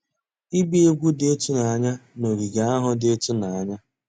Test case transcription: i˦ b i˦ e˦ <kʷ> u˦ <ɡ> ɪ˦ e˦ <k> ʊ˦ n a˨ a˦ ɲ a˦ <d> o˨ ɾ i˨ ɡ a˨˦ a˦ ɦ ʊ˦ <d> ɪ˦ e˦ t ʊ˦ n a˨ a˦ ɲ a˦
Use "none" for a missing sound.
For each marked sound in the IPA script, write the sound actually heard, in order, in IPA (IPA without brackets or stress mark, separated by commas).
ɡʷ, d, t, n, d